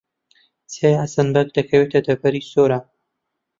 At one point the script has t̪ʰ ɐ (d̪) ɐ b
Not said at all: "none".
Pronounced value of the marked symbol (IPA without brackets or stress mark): d̪